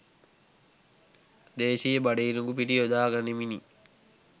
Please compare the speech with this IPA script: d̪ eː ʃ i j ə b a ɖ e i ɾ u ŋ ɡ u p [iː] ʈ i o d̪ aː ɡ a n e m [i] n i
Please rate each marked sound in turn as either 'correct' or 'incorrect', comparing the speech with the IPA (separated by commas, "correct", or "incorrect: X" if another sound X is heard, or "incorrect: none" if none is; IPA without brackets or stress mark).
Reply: incorrect: i, correct